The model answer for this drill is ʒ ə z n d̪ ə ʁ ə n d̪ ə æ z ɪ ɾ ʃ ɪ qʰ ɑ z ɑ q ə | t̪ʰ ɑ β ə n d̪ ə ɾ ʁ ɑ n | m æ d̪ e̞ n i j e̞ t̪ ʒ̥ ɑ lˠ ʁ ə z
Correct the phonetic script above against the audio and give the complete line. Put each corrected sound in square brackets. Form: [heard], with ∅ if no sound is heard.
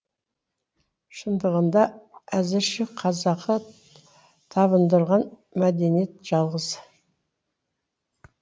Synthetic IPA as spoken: [ʃ] ə [∅] n d̪ ə ʁ ə n d̪ [ɑ] æ z ɪ ɾ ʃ ɪ qʰ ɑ z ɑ q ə | t̪ʰ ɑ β ə n d̪ ə ɾ ʁ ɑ n | m æ d̪ e̞ n i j e̞ t̪ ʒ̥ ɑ lˠ ʁ ə z

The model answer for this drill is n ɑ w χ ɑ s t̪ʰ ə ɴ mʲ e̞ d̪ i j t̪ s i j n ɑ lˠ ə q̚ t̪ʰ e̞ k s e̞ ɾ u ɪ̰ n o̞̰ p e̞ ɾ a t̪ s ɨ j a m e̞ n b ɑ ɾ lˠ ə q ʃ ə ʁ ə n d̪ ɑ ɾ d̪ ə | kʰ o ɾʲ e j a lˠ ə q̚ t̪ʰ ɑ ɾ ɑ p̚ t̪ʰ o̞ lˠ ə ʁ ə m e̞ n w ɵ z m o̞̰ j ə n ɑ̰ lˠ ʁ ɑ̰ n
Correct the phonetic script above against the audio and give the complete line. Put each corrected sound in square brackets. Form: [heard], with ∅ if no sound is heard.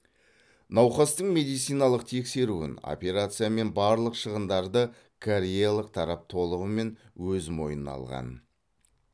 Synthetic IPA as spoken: n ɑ w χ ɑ s [t̪] ə ɴ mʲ e̞ d̪ i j t̪ s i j n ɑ lˠ ə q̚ t̪ʰ e̞ k s e̞ ɾ u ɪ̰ n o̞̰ p e̞ ɾ a t̪ s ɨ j a m e̞ n b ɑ ɾ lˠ ə q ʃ ə ʁ ə n d̪ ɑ ɾ d̪ ə | kʰ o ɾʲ e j a lˠ ə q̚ t̪ʰ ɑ ɾ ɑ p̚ t̪ʰ o̞ lˠ ə ʁ ə m e̞ n w ɵ z m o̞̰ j ə n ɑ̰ lˠ ʁ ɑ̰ n

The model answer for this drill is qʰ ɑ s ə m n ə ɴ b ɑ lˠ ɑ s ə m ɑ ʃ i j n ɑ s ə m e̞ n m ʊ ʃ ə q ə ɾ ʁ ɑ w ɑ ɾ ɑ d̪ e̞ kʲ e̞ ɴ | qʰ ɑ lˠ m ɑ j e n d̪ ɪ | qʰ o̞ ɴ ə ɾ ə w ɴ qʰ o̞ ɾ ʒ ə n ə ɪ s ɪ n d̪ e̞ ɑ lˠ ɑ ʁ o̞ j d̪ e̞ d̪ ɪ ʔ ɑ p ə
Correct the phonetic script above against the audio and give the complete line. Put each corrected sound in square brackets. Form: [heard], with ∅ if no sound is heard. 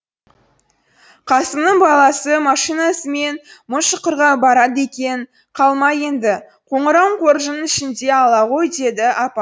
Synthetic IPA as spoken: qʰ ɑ s ə m n ə ɴ b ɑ lˠ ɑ s ə m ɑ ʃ i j n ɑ s ə m e̞ n m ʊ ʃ ə q ə ɾ ʁ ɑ [b] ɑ ɾ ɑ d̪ e̞ kʲ e̞ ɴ | qʰ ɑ lˠ m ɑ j e n d̪ ɪ | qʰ o̞ ɴ ə ɾ [ɑ] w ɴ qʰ o̞ ɾ ʒ ə n ə ɪ [ʃ] ɪ n d̪ e̞ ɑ lˠ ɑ ʁ o̞ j d̪ e̞ d̪ ɪ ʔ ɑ p [ɑ]

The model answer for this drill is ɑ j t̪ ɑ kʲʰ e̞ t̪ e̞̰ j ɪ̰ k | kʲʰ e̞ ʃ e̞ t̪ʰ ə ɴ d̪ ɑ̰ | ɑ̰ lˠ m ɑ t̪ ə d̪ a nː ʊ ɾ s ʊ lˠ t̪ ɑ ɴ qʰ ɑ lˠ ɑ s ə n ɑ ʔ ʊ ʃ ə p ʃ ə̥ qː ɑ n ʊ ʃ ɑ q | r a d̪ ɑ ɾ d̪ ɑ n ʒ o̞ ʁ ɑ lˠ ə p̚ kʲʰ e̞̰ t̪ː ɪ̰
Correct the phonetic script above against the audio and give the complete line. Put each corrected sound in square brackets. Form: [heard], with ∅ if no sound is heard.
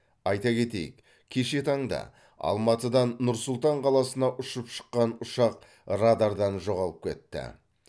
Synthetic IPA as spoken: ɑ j t̪ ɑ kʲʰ e̞ t̪ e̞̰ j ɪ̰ k | kʲʰ e̞ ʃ e̞ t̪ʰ [ɑ] ɴ d̪ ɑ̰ | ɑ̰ lˠ m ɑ t̪ ə d̪ [ɑ] nː ʊ ɾ s ʊ lˠ t̪ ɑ ɴ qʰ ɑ lˠ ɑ s ə n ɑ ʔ ʊ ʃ ə p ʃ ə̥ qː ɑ n ʊ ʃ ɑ q | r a d̪ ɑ ɾ d̪ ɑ n ʒ o̞ ʁ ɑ lˠ ə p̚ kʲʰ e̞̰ t̪ː ɪ̰

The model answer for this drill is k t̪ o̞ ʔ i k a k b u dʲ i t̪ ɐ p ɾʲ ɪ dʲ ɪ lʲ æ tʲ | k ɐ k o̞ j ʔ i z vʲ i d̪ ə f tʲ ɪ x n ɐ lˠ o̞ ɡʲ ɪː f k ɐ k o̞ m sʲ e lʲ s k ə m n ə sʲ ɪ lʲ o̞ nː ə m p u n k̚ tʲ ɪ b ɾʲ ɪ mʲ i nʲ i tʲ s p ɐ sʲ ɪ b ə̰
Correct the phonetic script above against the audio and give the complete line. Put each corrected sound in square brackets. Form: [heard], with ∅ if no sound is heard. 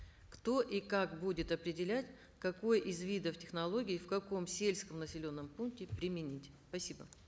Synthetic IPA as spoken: k t̪ o̞ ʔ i k a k b u dʲ [ɪ] t̪ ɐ p ɾʲ ɪ dʲ ɪ lʲ æ tʲ | k ɐ k o̞ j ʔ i z vʲ i d̪ ə f tʲ ɪ x n ɐ lˠ o̞ ɡʲ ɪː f k ɐ k o̞ m sʲ e lʲ s k ə m n ə sʲ ɪ lʲ o̞ nː ə m p u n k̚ tʲ ɪ [p] ɾʲ ɪ mʲ [ɪ] nʲ i tʲ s p ɐ sʲ [i] b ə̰

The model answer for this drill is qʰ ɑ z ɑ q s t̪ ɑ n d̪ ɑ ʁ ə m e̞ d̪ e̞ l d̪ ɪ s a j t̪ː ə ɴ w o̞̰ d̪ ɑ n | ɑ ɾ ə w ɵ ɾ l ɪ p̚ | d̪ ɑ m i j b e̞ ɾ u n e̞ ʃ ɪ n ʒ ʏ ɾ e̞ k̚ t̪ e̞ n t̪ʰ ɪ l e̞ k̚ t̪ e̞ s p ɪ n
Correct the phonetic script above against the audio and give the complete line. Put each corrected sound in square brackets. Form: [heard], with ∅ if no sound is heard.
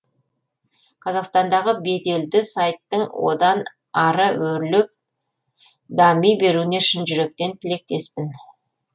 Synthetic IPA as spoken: qʰ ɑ z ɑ q s t̪ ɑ n d̪ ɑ ʁ ə [b] e̞ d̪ e̞ l d̪ ɪ s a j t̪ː ə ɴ w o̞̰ d̪ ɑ n | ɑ ɾ ə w ɵ ɾ l ɪ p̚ | d̪ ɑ m i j b e̞ ɾ u n e̞ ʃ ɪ n ʒ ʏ ɾ e̞ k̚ t̪ e̞ n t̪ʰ ɪ l e̞ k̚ t̪ e̞ s p ɪ n

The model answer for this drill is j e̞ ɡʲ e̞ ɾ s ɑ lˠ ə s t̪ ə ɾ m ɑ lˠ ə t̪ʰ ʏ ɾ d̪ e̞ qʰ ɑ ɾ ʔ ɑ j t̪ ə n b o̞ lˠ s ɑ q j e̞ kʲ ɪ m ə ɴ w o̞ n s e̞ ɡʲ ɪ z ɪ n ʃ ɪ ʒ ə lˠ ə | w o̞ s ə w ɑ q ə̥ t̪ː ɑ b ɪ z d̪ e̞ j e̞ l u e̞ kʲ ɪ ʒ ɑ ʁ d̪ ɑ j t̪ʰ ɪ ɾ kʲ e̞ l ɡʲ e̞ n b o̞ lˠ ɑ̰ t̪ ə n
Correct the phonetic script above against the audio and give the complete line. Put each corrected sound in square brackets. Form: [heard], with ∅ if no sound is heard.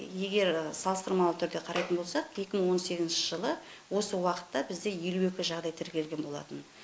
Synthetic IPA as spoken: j e̞ ɡʲ e̞ ɾ s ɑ lˠ ə s t̪ ə ɾ m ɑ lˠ ə t̪ʰ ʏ ɾ d̪ e̞ qʰ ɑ ɾ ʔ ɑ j t̪ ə n b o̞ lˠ s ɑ q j e̞ kʲ ɪ m ə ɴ w o̞ n s e̞ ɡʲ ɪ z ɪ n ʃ ɪ ʒ ə lˠ ə | w o̞ s ə w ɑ q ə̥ t̪ː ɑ b ɪ z d̪ e̞ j e̞ l u e̞ kʲ ɪ ʒ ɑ ʁ d̪ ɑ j t̪ʰ ɪ ɾ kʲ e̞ l ɡʲ e̞ n b o̞ lˠ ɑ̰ t̪ ə n

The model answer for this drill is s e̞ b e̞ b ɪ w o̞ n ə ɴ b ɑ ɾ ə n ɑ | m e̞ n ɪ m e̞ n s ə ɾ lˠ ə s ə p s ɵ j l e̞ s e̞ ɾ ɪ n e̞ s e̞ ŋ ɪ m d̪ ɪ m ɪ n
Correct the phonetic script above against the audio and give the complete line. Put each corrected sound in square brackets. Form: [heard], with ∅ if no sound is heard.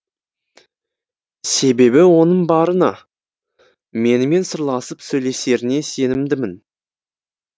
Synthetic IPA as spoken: s e̞ b e̞ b ɪ w o̞ n ə ɴ b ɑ ɾ ə n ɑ | m e̞ n ɪ m e̞ n s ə ɾ lˠ [ɑ] s ə p s ɵ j l e̞ s e̞ ɾ ɪ n e̞ s e̞ [n] ɪ m d̪ ɪ m ɪ n

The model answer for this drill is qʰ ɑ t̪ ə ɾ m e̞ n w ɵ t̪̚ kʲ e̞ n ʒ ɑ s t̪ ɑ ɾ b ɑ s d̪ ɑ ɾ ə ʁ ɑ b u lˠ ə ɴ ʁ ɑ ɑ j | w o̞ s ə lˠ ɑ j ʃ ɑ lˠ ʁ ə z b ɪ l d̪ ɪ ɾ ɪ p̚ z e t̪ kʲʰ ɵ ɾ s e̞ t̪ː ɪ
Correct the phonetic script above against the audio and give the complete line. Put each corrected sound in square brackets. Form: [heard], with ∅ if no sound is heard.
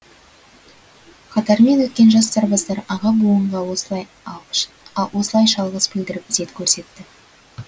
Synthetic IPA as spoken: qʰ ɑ t̪ [ɑ] ɾ m e̞ n w ɵ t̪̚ kʲ e̞ n ʒ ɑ s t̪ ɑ ɾ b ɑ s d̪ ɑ ɾ [ɑ] ʁ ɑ b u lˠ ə ɴ ʁ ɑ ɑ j | w o̞ s ə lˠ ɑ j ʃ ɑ lˠ ʁ ə z b ɪ l d̪ ɪ ɾ ɪ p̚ z e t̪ kʲʰ ɵ ɾ s e̞ t̪ː ɪ

